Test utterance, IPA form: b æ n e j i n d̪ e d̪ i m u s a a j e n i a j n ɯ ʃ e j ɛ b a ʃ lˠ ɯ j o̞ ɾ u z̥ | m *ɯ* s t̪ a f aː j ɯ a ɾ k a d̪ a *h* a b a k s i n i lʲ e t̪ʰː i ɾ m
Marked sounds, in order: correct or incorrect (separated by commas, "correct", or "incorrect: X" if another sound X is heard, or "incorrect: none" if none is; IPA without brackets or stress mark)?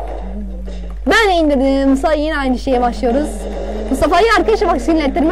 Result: incorrect: u, incorrect: ʃ